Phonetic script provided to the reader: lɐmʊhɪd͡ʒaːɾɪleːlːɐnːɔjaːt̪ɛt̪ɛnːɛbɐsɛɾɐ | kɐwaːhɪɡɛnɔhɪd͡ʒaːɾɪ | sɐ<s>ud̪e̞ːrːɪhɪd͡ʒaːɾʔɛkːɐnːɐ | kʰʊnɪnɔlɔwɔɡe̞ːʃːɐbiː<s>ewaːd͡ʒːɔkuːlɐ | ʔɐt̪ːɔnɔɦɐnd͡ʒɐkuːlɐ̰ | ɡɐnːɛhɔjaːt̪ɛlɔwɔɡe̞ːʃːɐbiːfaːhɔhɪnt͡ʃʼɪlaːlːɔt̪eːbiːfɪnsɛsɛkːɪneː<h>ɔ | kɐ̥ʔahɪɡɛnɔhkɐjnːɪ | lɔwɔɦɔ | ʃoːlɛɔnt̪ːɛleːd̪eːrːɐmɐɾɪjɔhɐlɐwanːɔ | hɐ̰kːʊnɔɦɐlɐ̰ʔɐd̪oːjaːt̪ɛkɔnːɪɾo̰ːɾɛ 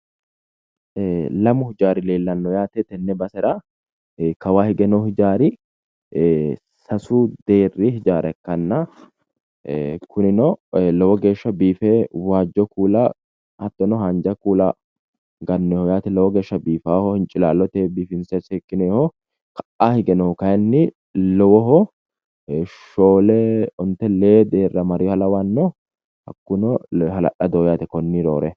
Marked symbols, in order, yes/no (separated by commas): yes, no, yes